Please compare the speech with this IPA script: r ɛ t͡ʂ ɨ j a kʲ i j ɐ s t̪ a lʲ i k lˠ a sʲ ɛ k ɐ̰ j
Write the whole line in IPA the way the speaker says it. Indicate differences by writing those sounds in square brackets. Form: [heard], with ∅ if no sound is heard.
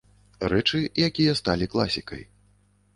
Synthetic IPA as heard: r ɛ t͡ʂ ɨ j a kʲ i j ɐ s t̪ a lʲ i k lˠ a sʲ [i] k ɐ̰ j